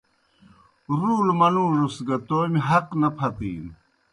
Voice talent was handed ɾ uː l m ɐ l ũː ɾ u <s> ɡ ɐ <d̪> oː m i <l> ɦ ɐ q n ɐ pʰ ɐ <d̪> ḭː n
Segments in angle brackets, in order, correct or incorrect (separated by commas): correct, incorrect, incorrect, incorrect